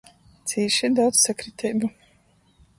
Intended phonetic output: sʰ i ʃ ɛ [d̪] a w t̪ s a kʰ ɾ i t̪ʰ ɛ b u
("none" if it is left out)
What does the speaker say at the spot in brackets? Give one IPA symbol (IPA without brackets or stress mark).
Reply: d̪